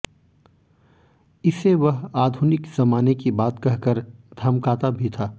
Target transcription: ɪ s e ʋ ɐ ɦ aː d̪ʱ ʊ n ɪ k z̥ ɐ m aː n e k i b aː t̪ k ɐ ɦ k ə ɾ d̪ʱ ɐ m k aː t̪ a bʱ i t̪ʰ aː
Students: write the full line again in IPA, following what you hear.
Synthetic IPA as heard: ɪ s e ʋ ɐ ɦ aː d̪ʱ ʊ n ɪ k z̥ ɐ m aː n e k i b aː t̪ k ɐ ɦ k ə ɾ d̪ʱ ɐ m k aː t̪ a bʱ i t̪ʰ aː